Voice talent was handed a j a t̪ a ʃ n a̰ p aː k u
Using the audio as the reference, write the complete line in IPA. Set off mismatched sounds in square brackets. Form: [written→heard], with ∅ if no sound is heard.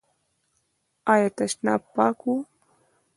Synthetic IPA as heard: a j a t̪ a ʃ n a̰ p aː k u